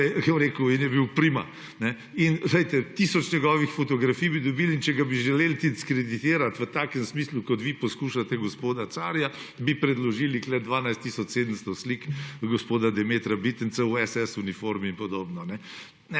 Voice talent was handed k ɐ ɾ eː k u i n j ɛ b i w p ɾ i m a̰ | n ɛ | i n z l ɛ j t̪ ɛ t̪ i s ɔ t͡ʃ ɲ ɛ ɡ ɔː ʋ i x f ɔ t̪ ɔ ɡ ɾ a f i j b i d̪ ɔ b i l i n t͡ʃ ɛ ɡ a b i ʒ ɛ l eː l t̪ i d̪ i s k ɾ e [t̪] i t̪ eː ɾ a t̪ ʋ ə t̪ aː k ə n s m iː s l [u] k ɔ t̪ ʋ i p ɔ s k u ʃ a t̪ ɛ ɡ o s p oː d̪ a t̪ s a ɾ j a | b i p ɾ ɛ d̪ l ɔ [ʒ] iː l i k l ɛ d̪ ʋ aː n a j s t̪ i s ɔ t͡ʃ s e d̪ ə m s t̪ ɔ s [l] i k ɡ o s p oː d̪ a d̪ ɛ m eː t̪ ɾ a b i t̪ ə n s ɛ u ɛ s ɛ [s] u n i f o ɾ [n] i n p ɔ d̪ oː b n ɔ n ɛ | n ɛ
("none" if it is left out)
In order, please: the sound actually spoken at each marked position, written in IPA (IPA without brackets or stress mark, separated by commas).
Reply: d̪, u, ʒ, l, s, m